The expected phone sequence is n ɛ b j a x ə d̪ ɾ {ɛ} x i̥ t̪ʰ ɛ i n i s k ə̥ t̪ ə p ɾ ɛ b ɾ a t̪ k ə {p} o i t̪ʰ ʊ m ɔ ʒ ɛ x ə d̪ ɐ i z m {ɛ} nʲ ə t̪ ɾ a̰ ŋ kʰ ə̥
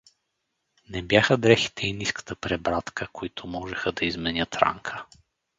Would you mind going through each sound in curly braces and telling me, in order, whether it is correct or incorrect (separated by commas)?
correct, incorrect, correct